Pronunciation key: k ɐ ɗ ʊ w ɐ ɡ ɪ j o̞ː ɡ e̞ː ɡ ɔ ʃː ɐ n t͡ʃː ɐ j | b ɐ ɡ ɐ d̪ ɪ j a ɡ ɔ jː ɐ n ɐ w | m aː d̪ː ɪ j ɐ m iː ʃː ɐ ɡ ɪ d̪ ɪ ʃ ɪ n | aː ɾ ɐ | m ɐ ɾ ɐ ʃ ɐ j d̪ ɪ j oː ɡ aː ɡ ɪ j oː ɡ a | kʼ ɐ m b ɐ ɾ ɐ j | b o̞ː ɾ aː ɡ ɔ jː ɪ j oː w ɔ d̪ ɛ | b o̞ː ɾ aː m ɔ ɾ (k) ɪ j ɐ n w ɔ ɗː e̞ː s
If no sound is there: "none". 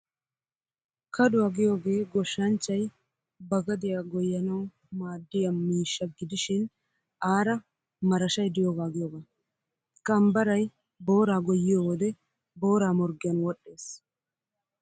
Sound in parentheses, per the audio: ɡ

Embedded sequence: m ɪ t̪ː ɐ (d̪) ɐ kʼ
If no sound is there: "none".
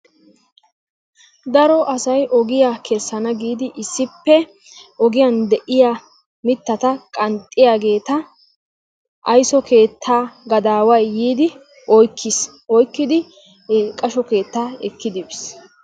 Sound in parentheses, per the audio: t̪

